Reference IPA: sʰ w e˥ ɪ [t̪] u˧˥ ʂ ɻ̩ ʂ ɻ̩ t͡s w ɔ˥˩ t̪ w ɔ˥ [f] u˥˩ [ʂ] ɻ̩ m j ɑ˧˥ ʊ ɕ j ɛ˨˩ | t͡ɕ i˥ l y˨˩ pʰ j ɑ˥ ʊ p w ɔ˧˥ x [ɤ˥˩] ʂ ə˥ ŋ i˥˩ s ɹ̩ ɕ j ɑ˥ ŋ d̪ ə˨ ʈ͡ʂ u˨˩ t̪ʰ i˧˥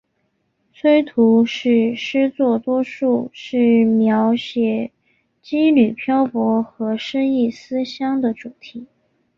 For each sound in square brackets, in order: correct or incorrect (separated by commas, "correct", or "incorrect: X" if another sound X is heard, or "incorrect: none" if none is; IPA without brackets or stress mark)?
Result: incorrect: t̪ʰ, incorrect: ʂ, correct, incorrect: ɤ˧˥